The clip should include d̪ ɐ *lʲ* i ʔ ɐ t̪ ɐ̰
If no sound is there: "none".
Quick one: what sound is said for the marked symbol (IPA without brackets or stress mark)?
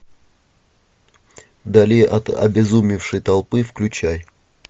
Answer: lʲ